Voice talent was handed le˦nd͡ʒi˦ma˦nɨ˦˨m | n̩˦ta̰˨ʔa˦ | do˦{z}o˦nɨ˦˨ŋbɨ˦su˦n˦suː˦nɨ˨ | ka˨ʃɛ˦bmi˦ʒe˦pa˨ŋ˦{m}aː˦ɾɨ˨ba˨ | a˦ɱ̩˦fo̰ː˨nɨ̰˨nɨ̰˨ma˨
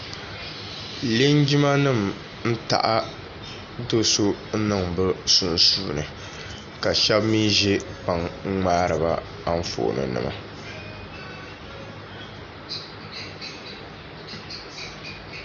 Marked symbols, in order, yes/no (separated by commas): no, no